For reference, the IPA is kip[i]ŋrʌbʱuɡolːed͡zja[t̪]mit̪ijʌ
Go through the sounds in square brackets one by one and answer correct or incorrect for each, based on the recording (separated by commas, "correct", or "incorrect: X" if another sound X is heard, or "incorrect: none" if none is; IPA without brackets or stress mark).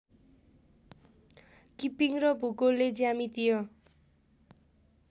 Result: correct, incorrect: none